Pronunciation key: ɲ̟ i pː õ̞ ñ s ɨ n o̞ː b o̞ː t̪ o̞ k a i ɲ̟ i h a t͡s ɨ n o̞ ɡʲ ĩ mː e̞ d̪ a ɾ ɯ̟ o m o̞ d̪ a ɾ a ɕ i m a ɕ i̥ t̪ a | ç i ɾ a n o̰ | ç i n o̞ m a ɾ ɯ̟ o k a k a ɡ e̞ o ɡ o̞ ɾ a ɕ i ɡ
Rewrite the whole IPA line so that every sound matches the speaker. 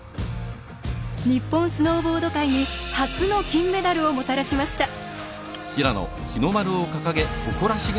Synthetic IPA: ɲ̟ i pː õ̞ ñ s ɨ n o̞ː b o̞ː d̪ o̞ k a i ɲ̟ i h a t͡s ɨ n o̞ kʲ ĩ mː e̞ d̪ a ɾ ɯ̟ o m o̞ t̪ a ɾ a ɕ i m a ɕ i̥ t̪ a | ç i ɾ a n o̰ | ç i n o̞ m a ɾ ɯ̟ o k a k a ɡ e̞ o k o̞ ɾ a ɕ i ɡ